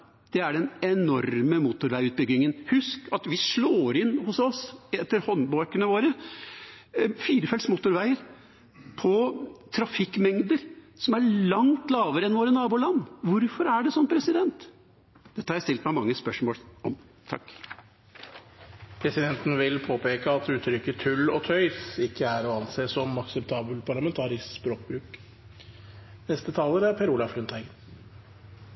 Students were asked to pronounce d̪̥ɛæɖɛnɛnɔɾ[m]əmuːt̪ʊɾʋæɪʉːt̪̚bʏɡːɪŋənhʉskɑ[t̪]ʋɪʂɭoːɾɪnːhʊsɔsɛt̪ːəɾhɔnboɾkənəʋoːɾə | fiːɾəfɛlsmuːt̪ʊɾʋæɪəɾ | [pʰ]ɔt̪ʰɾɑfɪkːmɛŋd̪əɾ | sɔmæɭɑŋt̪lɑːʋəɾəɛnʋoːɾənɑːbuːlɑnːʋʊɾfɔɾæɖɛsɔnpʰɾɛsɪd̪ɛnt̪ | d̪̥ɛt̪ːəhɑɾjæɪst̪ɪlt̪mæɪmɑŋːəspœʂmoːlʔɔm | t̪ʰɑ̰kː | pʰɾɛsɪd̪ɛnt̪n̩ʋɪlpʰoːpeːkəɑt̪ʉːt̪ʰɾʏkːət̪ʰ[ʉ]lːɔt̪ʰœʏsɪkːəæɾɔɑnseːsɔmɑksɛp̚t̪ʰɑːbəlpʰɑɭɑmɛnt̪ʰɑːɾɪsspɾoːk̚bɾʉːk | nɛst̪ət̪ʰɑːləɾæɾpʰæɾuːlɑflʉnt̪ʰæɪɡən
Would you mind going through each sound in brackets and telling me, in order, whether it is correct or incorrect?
correct, correct, correct, correct

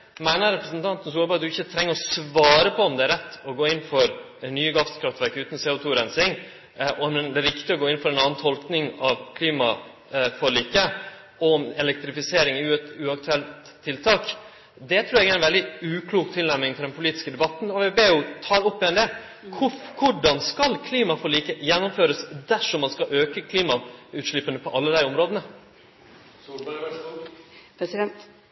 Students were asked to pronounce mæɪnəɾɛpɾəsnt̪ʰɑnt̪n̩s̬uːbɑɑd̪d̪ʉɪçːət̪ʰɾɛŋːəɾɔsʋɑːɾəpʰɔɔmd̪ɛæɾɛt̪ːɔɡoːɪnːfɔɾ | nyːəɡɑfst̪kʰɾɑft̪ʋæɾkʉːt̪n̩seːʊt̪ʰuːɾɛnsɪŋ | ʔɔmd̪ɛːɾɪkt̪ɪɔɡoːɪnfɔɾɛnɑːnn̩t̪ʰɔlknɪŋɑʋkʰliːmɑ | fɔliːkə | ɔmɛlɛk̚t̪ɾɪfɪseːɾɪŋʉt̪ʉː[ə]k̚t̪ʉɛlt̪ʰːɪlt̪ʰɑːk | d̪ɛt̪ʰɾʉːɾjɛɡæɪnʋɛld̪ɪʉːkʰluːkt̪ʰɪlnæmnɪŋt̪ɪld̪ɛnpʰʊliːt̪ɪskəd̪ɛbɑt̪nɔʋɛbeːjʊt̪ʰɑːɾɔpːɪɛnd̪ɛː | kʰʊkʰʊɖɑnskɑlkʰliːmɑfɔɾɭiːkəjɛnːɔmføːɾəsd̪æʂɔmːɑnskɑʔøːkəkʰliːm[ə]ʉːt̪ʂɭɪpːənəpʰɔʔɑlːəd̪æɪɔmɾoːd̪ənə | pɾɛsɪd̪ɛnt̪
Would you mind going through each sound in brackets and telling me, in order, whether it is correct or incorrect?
incorrect, incorrect

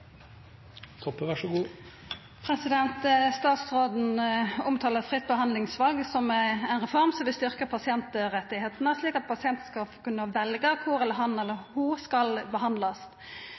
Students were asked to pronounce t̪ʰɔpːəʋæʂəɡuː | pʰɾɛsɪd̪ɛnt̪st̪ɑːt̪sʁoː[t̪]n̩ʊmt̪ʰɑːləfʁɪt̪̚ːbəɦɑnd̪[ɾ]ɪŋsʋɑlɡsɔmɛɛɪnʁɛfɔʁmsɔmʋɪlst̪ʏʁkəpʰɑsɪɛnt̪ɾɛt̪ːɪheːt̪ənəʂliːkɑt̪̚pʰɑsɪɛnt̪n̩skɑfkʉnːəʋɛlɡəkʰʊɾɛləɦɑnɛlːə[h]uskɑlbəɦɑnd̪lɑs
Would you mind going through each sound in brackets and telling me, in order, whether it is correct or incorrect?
incorrect, incorrect, correct

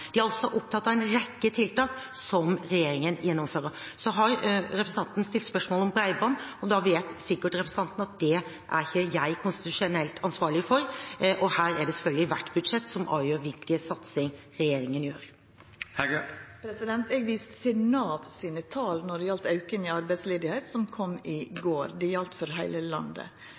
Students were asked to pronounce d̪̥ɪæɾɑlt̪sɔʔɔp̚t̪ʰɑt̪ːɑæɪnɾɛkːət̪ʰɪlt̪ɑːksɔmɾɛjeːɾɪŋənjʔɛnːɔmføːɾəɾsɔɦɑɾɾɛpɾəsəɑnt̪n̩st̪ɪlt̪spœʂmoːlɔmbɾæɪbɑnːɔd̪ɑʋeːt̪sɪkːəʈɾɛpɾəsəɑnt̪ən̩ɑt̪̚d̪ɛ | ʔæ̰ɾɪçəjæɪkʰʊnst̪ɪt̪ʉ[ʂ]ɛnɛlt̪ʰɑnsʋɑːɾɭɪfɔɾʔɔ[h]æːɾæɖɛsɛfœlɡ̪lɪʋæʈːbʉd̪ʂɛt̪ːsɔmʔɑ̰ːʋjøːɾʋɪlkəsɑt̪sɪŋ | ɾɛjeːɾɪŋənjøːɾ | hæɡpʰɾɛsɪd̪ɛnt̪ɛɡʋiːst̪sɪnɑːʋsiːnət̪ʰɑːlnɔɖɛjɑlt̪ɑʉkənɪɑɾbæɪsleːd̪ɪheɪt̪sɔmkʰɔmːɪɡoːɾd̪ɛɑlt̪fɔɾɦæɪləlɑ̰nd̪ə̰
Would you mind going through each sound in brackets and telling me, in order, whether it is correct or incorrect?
correct, correct

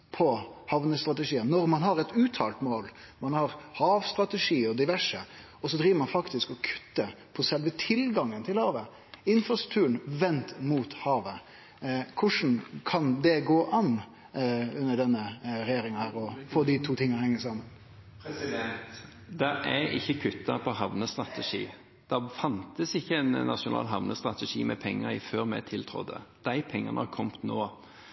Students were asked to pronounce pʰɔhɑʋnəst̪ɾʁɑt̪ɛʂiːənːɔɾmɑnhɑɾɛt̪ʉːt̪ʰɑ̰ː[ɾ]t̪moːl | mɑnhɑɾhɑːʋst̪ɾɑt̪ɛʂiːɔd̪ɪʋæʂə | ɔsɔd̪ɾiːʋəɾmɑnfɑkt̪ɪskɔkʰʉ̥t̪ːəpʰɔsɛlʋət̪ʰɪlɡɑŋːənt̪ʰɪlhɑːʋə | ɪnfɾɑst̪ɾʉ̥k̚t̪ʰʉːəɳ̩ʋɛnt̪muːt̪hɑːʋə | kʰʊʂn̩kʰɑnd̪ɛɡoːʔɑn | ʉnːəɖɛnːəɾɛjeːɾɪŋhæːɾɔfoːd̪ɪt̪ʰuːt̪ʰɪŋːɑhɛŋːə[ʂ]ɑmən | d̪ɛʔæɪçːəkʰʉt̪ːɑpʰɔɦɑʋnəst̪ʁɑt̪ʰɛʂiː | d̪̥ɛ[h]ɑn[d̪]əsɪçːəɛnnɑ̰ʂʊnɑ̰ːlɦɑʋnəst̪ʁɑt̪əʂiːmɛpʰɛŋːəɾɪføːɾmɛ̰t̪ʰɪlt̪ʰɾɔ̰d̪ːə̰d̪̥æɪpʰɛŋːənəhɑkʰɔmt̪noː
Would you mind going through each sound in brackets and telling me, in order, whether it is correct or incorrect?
incorrect, incorrect, incorrect, incorrect

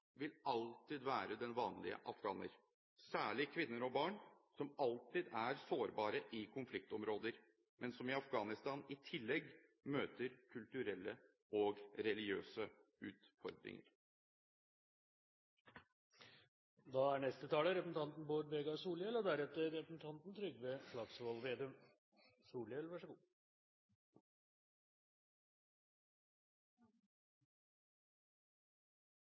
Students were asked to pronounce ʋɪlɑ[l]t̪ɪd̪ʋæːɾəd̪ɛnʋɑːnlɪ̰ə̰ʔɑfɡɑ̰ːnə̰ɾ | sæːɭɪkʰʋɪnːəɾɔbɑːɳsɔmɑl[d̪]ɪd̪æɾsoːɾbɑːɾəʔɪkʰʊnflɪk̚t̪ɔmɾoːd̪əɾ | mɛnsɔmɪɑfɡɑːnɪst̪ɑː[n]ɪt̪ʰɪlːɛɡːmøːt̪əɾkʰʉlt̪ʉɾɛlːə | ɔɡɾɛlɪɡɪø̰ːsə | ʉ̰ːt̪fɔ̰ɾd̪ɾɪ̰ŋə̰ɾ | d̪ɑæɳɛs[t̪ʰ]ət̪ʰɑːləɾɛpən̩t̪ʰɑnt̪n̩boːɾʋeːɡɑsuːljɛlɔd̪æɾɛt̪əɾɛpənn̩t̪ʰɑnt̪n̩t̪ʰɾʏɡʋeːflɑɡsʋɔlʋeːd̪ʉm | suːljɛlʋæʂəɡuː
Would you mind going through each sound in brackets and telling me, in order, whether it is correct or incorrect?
correct, incorrect, correct, incorrect

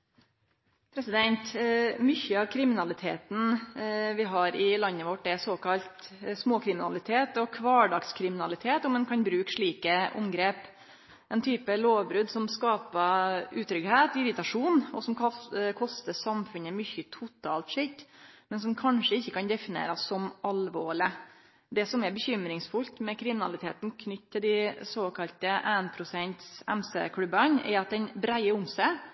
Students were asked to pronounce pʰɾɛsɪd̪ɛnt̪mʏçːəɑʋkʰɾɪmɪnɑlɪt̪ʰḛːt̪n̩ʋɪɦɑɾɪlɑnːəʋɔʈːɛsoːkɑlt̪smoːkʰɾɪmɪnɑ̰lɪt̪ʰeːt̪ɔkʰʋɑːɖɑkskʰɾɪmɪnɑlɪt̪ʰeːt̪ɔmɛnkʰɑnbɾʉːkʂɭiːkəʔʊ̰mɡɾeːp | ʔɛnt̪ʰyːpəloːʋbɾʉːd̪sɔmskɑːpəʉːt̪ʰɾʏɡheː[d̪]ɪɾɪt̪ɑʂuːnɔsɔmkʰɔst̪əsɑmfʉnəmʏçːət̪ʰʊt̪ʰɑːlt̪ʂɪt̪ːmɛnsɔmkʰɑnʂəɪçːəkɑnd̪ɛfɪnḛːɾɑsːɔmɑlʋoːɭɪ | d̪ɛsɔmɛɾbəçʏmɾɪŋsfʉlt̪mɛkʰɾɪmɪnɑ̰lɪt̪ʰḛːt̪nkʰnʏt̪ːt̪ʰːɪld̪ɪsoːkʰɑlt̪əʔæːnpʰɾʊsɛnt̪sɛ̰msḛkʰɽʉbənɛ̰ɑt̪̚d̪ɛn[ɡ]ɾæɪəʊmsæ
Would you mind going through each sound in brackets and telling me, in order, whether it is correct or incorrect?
incorrect, incorrect

